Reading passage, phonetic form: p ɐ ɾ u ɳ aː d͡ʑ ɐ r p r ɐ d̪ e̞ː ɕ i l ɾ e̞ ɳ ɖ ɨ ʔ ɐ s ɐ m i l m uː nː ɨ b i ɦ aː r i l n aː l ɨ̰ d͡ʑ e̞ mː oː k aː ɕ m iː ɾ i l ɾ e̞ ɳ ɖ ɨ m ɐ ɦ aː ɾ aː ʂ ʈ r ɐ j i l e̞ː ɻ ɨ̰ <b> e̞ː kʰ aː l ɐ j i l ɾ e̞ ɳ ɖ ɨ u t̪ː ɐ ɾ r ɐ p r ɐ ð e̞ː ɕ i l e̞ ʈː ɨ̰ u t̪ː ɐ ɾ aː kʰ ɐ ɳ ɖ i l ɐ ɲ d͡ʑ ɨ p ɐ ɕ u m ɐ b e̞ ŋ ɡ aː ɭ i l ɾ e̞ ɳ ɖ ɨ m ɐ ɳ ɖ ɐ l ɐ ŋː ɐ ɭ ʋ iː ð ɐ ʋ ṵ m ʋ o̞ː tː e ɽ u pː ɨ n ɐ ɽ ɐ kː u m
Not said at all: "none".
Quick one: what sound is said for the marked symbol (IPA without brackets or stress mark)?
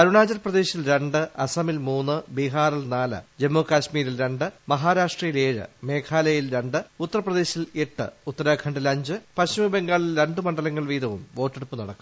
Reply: m